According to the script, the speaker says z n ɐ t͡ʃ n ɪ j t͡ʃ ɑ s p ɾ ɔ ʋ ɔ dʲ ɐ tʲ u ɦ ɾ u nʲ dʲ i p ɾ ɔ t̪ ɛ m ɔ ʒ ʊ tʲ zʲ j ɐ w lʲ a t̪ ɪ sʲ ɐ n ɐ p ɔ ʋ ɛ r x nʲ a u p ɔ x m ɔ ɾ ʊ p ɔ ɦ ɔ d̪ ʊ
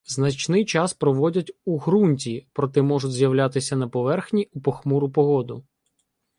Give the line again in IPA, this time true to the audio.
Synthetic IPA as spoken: z n ɐ t͡ʃ n ɪ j t͡ʃ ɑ s p ɾ ɔ ʋ ɔ dʲ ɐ tʲ u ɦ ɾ u nʲ tʲ i p ɾ ɔ t̪ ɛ m ɔ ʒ ʊ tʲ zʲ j ɐ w lʲ a t̪ ɪ sʲ ɐ n ɐ p ɔ ʋ ɛ r x nʲ i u p ɔ x m u ɾ ʊ p ɔ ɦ ɔ d̪ ʊ